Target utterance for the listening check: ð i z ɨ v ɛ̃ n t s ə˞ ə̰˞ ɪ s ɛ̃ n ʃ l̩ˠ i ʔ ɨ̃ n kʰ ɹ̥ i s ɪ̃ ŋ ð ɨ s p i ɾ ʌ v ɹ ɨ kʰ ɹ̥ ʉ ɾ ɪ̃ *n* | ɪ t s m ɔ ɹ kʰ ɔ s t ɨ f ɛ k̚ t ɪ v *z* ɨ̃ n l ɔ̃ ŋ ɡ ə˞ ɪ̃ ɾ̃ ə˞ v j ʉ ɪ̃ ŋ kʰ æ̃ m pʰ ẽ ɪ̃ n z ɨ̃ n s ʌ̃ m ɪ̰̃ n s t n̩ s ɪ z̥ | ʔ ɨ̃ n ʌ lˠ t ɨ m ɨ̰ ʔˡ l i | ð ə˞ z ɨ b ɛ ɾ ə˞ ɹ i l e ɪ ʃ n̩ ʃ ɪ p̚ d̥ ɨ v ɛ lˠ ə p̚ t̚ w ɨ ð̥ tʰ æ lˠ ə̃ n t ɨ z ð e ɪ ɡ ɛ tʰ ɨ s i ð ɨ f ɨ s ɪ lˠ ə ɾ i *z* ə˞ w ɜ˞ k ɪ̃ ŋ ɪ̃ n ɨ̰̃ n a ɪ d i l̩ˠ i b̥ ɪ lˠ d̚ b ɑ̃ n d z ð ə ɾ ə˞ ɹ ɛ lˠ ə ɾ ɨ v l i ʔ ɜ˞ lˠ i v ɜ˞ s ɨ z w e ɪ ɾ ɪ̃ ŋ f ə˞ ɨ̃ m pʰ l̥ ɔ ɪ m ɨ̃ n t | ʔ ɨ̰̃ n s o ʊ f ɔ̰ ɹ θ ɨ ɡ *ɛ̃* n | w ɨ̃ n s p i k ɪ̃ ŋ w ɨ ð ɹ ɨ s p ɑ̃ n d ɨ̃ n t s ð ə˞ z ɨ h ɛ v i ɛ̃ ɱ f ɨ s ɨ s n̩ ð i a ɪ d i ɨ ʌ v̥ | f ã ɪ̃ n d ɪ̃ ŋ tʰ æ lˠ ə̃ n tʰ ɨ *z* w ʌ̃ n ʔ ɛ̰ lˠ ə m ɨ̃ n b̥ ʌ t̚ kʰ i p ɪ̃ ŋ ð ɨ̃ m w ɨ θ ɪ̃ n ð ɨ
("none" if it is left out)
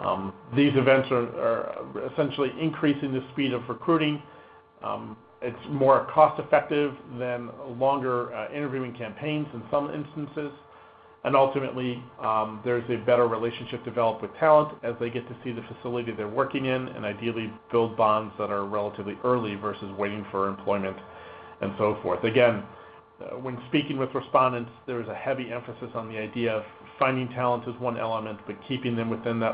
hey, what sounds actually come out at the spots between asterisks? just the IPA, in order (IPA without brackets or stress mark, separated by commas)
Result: ŋ, ð, ð, ɛ̃, z